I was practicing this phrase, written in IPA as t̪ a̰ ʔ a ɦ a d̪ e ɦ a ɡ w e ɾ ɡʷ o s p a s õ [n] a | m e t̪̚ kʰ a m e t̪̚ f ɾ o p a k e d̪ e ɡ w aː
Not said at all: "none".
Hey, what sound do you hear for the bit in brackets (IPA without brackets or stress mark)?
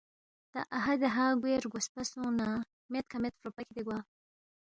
n